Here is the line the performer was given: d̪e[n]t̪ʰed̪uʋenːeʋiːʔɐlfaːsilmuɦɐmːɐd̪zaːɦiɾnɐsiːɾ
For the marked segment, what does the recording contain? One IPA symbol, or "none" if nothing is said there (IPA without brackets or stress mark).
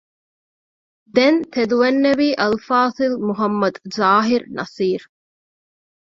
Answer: n